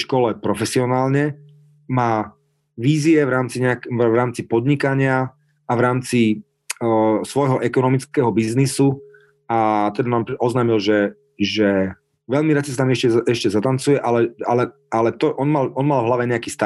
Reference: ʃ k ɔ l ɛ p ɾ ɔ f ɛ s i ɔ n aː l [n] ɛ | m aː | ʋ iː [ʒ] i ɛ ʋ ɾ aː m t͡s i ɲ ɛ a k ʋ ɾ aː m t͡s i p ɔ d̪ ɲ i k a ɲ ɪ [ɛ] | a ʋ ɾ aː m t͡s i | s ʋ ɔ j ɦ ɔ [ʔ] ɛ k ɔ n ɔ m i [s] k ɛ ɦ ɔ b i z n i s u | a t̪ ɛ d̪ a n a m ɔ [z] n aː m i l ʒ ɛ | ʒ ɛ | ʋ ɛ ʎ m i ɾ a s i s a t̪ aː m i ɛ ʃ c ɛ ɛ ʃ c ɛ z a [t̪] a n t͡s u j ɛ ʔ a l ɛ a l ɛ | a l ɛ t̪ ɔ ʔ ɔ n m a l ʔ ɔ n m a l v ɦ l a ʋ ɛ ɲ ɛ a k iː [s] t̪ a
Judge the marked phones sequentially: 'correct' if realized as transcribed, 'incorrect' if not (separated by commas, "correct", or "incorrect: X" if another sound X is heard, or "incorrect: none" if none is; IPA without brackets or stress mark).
incorrect: ɲ, incorrect: z, incorrect: a, correct, incorrect: t͡s, correct, correct, correct